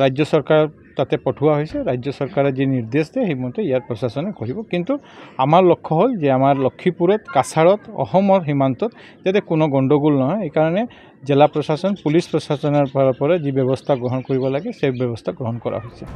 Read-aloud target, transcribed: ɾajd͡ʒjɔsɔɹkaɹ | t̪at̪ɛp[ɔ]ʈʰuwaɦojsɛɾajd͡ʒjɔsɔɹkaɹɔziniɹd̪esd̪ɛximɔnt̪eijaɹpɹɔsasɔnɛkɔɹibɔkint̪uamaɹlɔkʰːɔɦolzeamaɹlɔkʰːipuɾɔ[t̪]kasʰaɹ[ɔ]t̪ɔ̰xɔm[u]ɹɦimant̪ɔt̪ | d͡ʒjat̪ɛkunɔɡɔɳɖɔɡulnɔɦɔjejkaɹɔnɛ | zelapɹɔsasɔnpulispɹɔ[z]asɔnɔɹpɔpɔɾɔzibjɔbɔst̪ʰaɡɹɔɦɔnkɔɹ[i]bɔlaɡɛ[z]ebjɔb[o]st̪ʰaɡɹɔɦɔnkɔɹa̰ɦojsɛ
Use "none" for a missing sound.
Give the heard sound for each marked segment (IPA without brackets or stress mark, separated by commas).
ɔ, t̪, ɔ, ɔ, s, i, s, ɔ